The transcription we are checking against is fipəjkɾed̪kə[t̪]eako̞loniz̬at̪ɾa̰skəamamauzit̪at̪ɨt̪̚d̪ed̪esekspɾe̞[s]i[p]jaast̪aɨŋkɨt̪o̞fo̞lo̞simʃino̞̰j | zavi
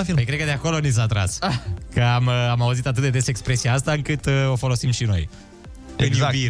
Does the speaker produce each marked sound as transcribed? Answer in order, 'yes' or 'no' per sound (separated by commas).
no, yes, no